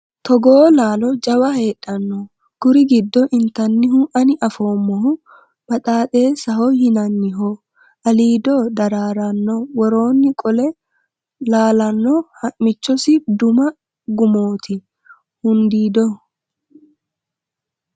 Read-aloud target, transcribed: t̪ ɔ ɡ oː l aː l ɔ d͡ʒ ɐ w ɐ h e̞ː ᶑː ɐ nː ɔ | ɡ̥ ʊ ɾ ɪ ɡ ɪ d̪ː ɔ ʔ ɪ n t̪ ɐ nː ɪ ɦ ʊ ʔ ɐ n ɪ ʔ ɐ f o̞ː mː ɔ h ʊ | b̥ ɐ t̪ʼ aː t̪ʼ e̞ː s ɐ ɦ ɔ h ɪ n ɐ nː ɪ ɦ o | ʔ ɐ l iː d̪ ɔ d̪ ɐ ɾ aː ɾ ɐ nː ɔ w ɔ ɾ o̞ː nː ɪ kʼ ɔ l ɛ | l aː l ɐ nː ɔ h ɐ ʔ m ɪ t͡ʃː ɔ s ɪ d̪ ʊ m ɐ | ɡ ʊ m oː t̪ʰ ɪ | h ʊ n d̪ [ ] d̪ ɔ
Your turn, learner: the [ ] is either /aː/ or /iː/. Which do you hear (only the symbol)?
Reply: iː